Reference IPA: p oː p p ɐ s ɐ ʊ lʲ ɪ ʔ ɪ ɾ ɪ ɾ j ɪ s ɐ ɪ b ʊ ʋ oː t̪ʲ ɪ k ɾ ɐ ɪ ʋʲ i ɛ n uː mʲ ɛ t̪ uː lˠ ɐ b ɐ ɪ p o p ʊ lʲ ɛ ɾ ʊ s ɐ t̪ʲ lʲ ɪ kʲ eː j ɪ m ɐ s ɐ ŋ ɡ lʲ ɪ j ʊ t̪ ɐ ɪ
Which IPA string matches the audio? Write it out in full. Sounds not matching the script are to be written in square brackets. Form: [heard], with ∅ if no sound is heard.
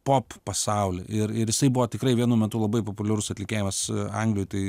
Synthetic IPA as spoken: p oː p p ɐ s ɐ ʊ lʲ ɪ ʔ ɪ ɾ ɪ ɾ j ɪ s ɐ ɪ b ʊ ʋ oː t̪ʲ ɪ k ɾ ɐ ɪ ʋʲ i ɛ n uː mʲ ɛ t̪ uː lˠ ɐ b ɐ ɪ p o p ʊ lʲ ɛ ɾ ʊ s ɐ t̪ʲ lʲ ɪ kʲ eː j ɪ m ɐ s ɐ ŋ ɡ lʲ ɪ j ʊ t̪ ɐ ɪ